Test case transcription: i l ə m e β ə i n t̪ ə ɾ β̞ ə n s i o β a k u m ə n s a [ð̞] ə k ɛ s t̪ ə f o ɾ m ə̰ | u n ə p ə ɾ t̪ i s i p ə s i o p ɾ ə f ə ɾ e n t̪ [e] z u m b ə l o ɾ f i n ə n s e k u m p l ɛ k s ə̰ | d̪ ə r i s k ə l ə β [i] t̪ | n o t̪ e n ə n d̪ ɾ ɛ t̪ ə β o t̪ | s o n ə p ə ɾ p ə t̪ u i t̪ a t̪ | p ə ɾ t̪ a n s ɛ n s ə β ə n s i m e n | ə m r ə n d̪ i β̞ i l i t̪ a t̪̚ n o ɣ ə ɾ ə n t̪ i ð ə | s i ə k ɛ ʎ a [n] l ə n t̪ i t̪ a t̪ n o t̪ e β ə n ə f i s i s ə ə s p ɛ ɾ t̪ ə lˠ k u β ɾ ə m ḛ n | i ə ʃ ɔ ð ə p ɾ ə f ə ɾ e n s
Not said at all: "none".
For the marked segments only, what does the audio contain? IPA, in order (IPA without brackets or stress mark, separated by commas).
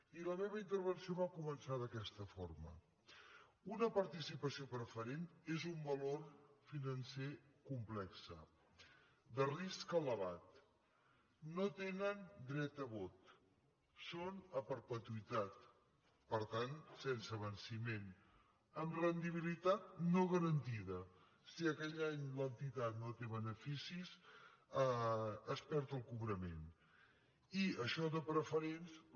ð̞, e, a, ɲ